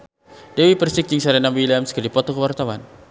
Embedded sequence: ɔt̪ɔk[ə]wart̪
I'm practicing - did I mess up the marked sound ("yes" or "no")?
no